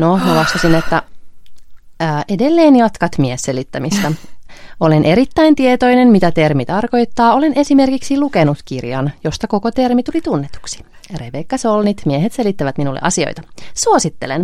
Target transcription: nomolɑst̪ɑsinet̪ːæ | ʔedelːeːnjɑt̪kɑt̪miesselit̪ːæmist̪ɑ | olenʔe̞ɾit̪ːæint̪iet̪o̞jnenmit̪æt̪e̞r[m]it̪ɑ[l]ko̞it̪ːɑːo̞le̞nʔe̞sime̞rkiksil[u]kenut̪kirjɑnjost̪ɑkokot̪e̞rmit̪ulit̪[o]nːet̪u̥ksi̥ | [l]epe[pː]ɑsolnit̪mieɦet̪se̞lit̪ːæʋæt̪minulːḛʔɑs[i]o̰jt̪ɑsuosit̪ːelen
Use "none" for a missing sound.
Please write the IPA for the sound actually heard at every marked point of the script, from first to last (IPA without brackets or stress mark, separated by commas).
m, r, u, u, r, kː, i